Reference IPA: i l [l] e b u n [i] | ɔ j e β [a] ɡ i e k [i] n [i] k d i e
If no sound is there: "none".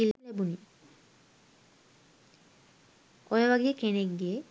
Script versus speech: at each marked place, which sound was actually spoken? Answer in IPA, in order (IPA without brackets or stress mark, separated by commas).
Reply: l, i, a, e, e